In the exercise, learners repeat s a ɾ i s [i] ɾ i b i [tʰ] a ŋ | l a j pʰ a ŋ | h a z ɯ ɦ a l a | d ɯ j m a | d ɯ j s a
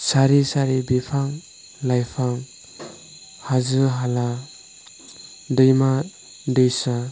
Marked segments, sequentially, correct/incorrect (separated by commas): incorrect, incorrect